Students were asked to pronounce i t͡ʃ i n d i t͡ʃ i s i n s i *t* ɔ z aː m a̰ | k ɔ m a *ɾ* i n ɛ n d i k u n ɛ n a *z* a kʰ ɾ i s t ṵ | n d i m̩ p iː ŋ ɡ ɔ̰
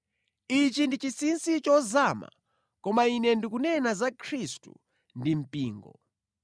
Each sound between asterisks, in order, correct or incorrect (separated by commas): incorrect, incorrect, correct